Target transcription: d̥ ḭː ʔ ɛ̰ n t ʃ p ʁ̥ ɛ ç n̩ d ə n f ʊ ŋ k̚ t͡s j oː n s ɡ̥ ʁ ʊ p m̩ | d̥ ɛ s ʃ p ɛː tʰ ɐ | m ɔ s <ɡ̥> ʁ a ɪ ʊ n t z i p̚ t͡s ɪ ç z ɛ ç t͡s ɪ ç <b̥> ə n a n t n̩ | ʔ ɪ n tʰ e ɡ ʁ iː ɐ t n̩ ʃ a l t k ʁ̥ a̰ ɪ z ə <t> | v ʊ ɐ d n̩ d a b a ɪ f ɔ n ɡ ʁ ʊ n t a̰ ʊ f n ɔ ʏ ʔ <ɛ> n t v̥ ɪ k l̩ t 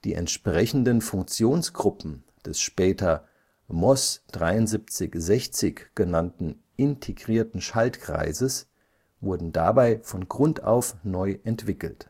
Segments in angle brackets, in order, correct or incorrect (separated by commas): incorrect, incorrect, incorrect, correct